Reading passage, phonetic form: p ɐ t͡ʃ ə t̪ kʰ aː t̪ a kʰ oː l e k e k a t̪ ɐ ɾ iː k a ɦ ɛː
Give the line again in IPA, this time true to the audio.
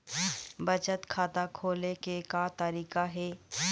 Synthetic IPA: b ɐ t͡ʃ ə t̪ kʰ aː t̪ a kʰ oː l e k e k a t̪ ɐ ɾ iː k a ɦ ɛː

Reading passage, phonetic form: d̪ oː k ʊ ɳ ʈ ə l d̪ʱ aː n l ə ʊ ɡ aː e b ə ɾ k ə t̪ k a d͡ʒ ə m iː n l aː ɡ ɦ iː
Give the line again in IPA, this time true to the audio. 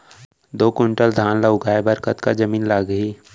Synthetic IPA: d̪ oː k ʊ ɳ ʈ ə l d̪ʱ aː n l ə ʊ ɡ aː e b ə ɾ k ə t̪ k a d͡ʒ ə m iː n l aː ɡ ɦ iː

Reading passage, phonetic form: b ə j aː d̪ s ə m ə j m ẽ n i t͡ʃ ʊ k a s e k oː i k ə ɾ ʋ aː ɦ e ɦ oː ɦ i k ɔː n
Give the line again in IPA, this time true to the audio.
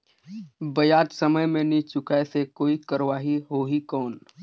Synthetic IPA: b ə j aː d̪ s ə m ə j m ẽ n i t͡ʃ ʊ k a s e k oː i k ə ɾ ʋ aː ɦ i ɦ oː ɦ i k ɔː n

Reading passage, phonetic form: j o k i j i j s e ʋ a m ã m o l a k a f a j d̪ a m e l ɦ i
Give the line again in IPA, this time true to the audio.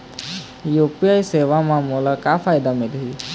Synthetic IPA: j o p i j a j s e ʋ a m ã m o l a k a f a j d̪ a m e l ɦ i

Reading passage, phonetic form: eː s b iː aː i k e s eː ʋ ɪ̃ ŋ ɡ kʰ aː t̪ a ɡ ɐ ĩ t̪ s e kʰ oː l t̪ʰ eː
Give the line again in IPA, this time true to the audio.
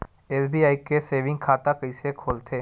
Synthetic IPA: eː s b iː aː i k e s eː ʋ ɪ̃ ŋ ɡ kʰ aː t̪ a k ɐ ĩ s e kʰ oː l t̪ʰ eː

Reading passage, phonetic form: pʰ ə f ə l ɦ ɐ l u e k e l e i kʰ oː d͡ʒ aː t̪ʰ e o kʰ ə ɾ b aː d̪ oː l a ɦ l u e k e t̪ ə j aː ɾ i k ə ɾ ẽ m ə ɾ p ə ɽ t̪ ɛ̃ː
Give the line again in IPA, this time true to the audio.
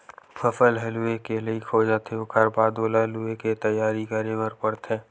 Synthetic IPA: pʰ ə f ə l ɦ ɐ l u e k e l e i kʰ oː d͡ʒ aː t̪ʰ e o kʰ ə ɾ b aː d̪ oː l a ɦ l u e k e t̪ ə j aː ɾ i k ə ɾ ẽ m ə ɾ p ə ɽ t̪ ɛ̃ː

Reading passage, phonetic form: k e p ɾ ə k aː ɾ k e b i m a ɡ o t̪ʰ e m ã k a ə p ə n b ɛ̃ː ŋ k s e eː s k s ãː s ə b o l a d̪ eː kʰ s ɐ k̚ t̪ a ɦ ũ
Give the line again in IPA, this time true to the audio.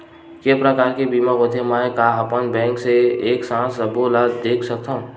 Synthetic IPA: k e p ɾ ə k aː ɾ k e b i m a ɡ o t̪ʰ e m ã k a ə p ə n b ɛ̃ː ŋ k s e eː k s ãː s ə b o l a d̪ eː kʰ s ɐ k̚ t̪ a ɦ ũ

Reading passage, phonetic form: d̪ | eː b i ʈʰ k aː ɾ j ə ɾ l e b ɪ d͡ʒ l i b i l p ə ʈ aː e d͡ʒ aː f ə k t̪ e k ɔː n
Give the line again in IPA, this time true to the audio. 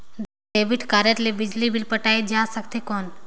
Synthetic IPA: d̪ | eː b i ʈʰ k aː ɾ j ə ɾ l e b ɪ d͡ʒ l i b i l p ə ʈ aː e d͡ʒ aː s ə k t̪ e k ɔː n

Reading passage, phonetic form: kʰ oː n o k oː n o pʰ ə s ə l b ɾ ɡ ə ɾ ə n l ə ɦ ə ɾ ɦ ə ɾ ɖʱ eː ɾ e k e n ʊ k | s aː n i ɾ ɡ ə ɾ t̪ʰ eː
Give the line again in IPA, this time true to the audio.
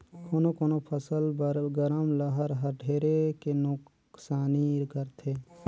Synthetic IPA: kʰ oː n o k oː n o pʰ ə s ə l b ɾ ɡ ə ɾ ə m l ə ɦ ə ɾ ɦ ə ɾ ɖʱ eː ɾ e k e n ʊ k | s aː n i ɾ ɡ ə ɾ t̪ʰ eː

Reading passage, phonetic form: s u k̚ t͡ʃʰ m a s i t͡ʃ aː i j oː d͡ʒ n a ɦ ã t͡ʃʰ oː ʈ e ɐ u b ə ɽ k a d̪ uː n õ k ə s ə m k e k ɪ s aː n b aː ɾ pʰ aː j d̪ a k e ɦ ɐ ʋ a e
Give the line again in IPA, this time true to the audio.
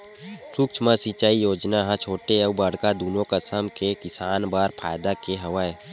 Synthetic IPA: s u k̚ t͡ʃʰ m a s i t͡ʃ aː i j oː d͡ʒ n a ɦ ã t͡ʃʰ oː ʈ e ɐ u b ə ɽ k a d̪ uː n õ k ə s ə m k e k ɪ s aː n b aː ɾ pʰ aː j d̪ a k e ɦ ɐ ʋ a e

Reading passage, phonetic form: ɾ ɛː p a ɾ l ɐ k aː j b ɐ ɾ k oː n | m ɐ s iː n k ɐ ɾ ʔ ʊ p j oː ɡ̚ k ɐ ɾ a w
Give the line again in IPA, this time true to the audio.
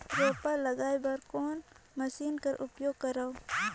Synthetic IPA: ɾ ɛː p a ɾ l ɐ ɡ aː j b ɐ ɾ k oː n | m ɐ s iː n k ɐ ɾ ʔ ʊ p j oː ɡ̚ k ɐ ɾ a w

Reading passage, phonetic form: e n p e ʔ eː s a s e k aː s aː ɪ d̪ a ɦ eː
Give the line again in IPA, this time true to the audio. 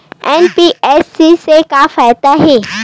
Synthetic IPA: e n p i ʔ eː s i s e k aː f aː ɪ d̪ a ɦ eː

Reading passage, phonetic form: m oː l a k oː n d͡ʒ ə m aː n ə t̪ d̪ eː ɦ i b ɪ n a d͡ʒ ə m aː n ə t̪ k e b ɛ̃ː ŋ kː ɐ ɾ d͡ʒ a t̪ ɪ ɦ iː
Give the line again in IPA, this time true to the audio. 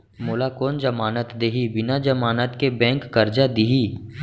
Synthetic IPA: m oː l a k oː n d͡ʒ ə m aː n ə t̪ d̪ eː ɦ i b ɪ n a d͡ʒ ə m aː n ə t̪ k e b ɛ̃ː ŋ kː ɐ ɾ d͡ʒ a d̪ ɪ ɦ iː

